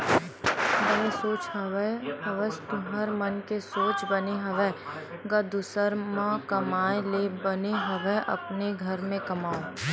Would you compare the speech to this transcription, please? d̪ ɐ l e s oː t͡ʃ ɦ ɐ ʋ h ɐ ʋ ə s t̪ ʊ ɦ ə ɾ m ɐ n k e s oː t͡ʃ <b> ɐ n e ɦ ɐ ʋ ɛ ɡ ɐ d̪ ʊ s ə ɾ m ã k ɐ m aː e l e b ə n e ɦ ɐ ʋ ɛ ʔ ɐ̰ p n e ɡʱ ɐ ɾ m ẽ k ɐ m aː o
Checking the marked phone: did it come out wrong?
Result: no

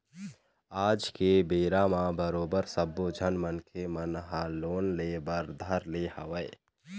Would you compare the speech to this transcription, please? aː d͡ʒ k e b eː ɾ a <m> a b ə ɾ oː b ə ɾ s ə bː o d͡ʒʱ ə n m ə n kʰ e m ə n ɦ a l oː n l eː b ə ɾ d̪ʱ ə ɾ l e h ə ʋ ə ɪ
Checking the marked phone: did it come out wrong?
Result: no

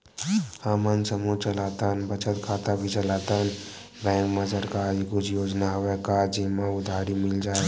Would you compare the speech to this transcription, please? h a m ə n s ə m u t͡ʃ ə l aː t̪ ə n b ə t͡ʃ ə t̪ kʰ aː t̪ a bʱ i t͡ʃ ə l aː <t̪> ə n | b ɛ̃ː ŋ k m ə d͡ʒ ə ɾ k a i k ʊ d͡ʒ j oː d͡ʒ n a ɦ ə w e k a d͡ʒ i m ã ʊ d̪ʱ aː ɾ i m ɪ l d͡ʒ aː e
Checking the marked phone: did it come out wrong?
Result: no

